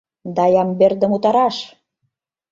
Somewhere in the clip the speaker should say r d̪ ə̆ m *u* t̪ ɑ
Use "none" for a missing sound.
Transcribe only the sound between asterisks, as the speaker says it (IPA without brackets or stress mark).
u